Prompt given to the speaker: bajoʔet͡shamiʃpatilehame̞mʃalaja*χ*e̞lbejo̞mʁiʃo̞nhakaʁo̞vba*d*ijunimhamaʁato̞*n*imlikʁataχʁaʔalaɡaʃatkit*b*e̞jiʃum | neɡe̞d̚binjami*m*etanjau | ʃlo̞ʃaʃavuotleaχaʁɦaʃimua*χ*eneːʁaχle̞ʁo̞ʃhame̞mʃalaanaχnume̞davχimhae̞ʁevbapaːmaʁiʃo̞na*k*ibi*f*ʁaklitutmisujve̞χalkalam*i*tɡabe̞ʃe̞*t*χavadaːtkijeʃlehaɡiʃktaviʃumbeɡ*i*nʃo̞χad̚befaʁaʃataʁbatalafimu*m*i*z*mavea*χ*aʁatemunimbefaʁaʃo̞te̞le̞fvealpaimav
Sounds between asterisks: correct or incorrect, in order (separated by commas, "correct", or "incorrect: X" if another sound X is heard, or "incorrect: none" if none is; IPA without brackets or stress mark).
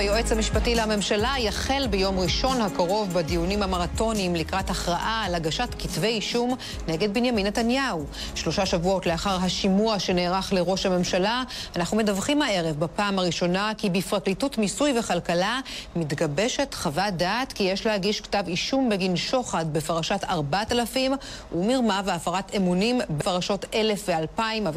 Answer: correct, correct, correct, incorrect: v, incorrect: n, incorrect: ʃ, correct, correct, correct, correct, correct, correct, incorrect: ʁ, incorrect: f